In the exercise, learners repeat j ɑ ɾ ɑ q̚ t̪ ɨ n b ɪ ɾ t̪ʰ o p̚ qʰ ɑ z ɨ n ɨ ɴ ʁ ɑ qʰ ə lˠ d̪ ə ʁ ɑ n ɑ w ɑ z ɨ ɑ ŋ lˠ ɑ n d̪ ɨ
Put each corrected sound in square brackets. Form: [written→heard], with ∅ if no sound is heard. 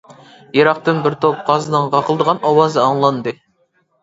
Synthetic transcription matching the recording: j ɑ ɾ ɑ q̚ t̪ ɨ n b ɪ ɾ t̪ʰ o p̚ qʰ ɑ z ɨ n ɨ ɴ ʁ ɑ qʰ ə lˠ d̪ ə ʁ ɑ n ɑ w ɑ z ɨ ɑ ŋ lˠ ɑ n d̪ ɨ

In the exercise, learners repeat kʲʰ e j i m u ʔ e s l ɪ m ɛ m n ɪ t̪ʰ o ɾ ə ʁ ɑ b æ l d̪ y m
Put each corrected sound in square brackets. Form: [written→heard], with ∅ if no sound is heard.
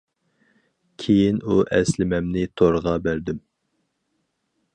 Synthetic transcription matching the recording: kʲʰ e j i [m→n] u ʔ [e→ɛ] s l ɪ m ɛ m n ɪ t̪ʰ o ɾ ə ʁ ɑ b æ [l→ɾ] d̪ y m

